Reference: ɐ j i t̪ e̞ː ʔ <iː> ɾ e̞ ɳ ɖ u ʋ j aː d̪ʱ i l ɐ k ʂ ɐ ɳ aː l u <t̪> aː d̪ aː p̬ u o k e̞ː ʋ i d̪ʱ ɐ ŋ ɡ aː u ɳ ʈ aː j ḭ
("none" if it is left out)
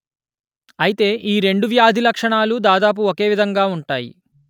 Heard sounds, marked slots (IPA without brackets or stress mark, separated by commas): iː, d̪